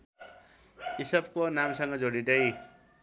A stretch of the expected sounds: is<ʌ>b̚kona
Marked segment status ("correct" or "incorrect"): correct